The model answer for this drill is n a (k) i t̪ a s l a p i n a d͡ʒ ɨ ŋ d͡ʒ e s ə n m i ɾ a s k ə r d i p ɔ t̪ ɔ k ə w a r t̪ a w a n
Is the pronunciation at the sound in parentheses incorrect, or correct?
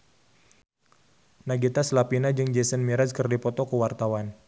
incorrect